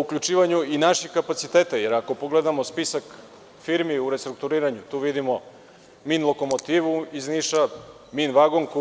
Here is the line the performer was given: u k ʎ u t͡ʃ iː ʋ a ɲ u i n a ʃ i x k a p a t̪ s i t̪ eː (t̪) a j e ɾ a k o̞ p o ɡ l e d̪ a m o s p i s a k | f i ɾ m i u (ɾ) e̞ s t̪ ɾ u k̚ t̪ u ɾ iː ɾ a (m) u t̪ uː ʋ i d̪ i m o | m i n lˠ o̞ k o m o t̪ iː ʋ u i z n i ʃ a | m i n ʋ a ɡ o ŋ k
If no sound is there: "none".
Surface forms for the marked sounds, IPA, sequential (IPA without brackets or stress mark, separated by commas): t̪, ɾ, ɲ